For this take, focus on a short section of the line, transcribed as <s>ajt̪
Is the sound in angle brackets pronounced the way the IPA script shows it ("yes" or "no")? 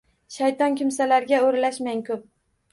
no